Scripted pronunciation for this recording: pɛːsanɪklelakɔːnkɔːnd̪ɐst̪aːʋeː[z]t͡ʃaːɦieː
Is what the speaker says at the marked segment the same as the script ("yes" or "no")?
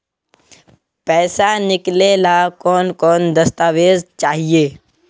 yes